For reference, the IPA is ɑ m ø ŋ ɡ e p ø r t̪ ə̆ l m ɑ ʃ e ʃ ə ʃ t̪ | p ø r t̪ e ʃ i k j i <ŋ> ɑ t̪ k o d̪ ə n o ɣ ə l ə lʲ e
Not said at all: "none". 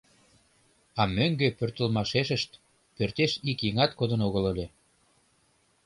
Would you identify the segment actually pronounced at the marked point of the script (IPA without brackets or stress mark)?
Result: ŋ